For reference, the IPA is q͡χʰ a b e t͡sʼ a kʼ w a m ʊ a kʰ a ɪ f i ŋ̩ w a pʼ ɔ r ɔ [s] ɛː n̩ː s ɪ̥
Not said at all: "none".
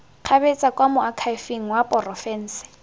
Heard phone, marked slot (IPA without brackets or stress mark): f